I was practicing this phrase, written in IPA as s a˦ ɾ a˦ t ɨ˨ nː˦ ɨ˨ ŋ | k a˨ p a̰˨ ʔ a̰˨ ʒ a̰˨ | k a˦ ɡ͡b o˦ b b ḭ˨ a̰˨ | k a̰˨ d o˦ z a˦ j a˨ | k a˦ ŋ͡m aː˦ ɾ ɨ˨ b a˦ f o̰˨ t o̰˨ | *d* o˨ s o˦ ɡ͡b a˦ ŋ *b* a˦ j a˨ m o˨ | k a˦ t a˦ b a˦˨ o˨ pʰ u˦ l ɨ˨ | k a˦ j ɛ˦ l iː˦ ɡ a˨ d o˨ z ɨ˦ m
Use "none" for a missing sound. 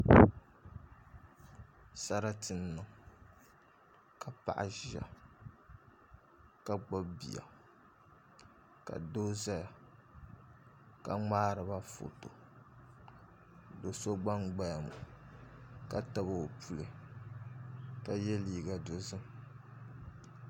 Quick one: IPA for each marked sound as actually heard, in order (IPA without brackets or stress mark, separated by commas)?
d, ɡ͡b